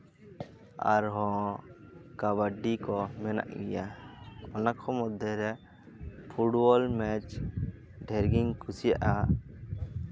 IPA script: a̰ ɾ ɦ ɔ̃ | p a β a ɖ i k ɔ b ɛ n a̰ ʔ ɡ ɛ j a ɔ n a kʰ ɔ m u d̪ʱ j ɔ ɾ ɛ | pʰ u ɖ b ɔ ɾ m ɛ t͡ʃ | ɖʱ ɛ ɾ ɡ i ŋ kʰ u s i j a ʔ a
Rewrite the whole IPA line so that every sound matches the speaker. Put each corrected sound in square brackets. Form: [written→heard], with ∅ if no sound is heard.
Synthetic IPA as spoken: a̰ ɾ ɦ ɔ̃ | [p→k] a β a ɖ i k ɔ [b→m] ɛ n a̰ ʔ ɡ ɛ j a ɔ n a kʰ ɔ m [u→ɔ] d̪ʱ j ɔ ɾ ɛ | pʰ u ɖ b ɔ [ɾ→l] m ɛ t͡ʃ | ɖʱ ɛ ɾ ɡ i ŋ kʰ u s i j a ʔ a

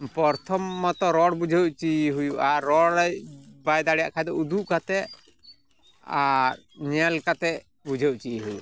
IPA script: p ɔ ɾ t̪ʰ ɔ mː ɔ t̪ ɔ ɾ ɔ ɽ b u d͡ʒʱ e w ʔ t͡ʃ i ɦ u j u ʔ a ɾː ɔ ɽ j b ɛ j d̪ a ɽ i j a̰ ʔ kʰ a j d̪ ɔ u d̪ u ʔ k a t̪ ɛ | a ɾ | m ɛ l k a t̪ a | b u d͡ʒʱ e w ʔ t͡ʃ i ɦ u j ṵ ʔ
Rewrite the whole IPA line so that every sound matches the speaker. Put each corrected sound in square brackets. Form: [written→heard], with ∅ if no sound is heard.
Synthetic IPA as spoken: p ɔ ɾ t̪ʰ ɔ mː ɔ t̪ ɔ ɾ ɔ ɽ b u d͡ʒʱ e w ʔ t͡ʃ i ɦ u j u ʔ a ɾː ɔ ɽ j b [ɛ→a] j d̪ a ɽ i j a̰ ʔ kʰ a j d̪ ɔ u d̪ u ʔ k a t̪ ɛ | a ɾ | [m→ɲ] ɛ l k a t̪ [a→ɛ] | b u d͡ʒʱ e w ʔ t͡ʃ i ɦ u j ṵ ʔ

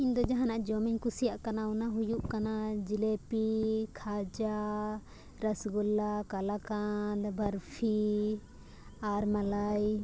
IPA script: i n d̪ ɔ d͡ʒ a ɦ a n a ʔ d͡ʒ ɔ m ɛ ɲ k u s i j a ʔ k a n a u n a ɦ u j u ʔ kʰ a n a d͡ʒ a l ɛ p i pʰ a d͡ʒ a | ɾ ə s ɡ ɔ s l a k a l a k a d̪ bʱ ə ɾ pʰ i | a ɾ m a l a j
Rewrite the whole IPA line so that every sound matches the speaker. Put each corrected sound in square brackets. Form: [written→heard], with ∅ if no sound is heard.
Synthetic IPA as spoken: i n d̪ ɔ d͡ʒ a ɦ a n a ʔ d͡ʒ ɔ m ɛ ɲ k u s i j a ʔ k a n a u n a ɦ u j u ʔ [kʰ→k] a n a d͡ʒ [a→i] l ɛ p i [pʰ→kʰ] a d͡ʒ a | ɾ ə s ɡ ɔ [s→∅] l a k a l a k a d̪ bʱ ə ɾ pʰ i | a ɾ m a l a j

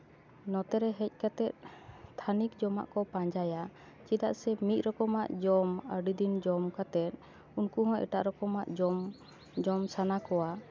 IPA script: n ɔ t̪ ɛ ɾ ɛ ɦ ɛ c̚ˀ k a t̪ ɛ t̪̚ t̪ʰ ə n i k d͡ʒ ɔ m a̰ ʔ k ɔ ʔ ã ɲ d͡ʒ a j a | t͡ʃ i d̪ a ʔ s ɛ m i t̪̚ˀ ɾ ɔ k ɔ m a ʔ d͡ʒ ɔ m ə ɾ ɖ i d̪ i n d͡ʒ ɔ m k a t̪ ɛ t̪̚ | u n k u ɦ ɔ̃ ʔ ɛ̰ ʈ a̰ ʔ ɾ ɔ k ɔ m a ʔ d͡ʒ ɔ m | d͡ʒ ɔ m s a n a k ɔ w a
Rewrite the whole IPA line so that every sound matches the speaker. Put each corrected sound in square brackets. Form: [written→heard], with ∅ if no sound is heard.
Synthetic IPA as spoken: n ɔ t̪ ɛ ɾ ɛ ɦ ɛ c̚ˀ k a t̪ ɛ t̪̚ t̪ʰ [ə→a] n i k d͡ʒ ɔ m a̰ ʔ k ɔ [ʔ→p] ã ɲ d͡ʒ a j a | t͡ʃ i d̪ a ʔ s ɛ m i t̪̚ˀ ɾ ɔ k ɔ m a ʔ d͡ʒ ɔ m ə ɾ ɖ i d̪ i n d͡ʒ ɔ m k a t̪ ɛ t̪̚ | u n k u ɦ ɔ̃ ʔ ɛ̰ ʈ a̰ ʔ ɾ ɔ k ɔ m a ʔ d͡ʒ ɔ m | d͡ʒ ɔ m s a n a k ɔ w a

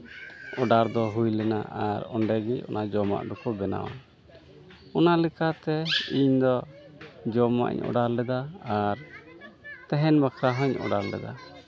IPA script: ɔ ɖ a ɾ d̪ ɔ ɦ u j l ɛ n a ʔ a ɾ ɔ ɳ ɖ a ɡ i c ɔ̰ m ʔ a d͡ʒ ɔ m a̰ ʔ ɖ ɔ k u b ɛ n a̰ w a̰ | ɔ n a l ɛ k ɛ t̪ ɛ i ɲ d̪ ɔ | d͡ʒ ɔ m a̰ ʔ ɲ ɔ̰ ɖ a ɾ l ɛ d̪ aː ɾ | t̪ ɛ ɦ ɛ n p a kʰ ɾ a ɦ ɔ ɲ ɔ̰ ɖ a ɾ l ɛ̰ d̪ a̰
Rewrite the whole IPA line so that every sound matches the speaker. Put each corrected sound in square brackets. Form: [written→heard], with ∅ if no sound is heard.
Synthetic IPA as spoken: ɔ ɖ a ɾ d̪ ɔ ɦ u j l ɛ n a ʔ a ɾ ɔ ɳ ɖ [a→ɛ] ɡ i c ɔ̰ [m→n] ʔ a d͡ʒ ɔ m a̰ ʔ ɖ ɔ k [u→ɔ] b ɛ n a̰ w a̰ | ɔ n a l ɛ k [ɛ→a] t̪ ɛ i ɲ d̪ ɔ | d͡ʒ ɔ m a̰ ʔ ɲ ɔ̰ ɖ a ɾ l ɛ d̪ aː ɾ | t̪ ɛ ɦ ɛ n [p→b] a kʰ ɾ a ɦ ɔ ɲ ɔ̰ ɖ a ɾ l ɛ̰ d̪ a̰

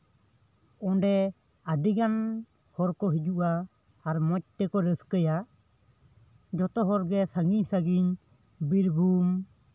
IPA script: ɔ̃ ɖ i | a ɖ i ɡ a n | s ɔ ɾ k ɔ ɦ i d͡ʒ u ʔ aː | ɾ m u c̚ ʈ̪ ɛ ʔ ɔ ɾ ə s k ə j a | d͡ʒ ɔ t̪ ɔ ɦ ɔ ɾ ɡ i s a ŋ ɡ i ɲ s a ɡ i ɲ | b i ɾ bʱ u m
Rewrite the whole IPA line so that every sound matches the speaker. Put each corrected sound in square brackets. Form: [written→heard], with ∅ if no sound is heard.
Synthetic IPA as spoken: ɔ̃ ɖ [i→ɛ] | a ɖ i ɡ a n | [s→h] ɔ ɾ k ɔ ɦ i d͡ʒ u ʔ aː | ɾ m [u→ɔ] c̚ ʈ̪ ɛ [ʔ→k] ɔ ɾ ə s k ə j a | d͡ʒ ɔ t̪ ɔ ɦ ɔ ɾ ɡ [i→ɛ] s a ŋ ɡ i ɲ s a ɡ i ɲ | b i ɾ bʱ u m

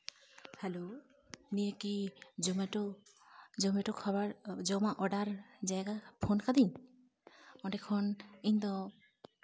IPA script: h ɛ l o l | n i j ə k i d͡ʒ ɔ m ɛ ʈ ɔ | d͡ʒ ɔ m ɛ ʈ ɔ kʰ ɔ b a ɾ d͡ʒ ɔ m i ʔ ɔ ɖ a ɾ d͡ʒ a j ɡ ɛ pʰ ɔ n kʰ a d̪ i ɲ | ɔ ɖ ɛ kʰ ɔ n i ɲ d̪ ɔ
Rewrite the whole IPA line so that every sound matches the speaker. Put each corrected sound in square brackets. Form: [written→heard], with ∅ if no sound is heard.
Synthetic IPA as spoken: h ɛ l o [l→∅] | n i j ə k i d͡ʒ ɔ m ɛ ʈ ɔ | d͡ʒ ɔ m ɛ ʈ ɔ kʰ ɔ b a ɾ d͡ʒ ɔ m [i→a] ʔ ɔ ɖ a ɾ d͡ʒ a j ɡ [ɛ→a] pʰ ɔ n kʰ a d̪ i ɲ | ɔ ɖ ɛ kʰ ɔ n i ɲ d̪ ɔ

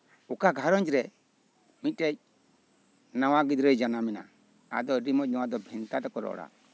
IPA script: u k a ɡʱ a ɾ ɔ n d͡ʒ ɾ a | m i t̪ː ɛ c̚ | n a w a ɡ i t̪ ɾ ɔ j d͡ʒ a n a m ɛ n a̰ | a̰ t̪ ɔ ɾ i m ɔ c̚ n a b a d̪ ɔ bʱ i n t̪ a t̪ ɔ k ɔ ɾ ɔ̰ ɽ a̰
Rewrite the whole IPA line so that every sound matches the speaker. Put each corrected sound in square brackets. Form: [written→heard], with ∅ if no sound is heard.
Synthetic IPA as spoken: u k a ɡʱ a ɾ ɔ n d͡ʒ ɾ [a→ɛ] | m i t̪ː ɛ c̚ | n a w a ɡ i [t̪→d̪] ɾ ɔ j d͡ʒ a n a m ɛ n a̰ | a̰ [t̪→d̪] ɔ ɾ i m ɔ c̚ n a [b→w] a d̪ ɔ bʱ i n t̪ a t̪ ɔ k ɔ ɾ ɔ̰ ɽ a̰

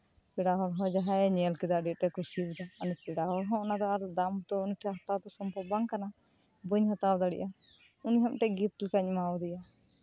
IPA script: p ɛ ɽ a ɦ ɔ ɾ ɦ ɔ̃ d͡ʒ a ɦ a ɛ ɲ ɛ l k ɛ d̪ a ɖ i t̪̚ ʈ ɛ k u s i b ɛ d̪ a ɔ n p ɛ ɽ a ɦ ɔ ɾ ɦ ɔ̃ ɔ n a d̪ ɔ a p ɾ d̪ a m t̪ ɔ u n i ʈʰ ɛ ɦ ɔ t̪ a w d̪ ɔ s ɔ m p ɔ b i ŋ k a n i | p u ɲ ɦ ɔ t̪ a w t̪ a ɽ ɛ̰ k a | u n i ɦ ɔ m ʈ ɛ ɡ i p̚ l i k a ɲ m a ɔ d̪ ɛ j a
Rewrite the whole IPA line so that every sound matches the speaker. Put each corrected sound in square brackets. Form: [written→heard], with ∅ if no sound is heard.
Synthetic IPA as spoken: p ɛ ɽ a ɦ ɔ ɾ ɦ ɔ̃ d͡ʒ a ɦ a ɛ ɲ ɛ l k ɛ d̪ a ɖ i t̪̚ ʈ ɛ k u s i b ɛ d̪ a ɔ n p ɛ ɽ a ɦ ɔ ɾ ɦ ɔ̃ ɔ n a d̪ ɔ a [p→∅] ɾ d̪ a m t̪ ɔ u n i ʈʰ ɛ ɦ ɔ t̪ a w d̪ ɔ s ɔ m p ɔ b [i→a] ŋ k a n [i→a] | [p→b] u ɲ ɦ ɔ t̪ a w [t̪→d̪] a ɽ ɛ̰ [k→ʔ] a | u n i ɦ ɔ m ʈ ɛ ɡ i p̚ l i k a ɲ m a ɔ d̪ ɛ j a

